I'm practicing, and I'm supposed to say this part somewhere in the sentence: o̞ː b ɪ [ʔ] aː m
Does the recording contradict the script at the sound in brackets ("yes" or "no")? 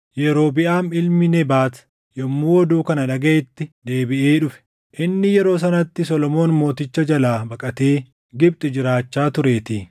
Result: no